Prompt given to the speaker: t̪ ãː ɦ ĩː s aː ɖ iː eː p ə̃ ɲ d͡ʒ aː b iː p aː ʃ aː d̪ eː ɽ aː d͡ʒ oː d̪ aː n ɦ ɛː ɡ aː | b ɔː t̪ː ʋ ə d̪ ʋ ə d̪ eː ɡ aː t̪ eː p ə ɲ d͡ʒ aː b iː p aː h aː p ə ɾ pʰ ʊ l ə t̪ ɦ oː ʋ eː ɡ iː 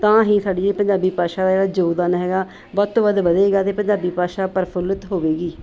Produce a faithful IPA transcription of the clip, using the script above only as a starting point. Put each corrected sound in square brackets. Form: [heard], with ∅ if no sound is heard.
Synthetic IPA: t̪ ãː ɦ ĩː s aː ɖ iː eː p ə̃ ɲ d͡ʒ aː b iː p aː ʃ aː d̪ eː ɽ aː d͡ʒ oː d̪ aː n ɦ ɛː ɡ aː | b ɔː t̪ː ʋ ə d̪ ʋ ə d̪ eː ɡ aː t̪ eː p ə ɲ d͡ʒ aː b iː p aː [ʃ] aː p ə ɾ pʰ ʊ l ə t̪ ɦ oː ʋ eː ɡ iː